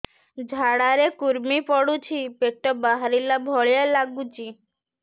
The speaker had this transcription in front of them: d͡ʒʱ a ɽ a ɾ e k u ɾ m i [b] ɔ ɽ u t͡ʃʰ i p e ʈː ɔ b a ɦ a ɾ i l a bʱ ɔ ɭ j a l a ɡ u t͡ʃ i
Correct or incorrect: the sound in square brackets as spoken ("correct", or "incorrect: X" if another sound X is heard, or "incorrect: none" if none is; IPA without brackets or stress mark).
incorrect: p